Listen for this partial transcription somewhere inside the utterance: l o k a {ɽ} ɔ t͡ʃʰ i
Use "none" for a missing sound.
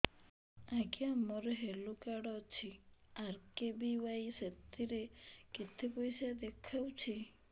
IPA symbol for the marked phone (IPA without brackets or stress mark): ɽ